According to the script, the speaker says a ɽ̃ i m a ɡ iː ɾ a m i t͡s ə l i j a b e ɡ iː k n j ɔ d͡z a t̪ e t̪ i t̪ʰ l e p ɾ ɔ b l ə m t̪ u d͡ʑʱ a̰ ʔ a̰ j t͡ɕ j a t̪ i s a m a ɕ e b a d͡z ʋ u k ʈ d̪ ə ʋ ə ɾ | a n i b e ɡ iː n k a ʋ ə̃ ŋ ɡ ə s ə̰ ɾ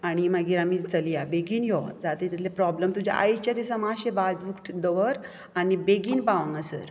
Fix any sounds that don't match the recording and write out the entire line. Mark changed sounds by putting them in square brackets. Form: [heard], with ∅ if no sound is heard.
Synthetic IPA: a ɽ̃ i m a ɡ iː ɾ a m i t͡s ə l i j a b e ɡ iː [∅] n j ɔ d͡z a t̪ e t̪ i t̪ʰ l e p ɾ ɔ b l ə m t̪ u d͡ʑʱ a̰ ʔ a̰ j t͡ɕ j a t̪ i s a m a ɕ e b a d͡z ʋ u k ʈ d̪ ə ʋ ə ɾ | a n i b e ɡ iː n [p] a ʋ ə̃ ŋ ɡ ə s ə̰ ɾ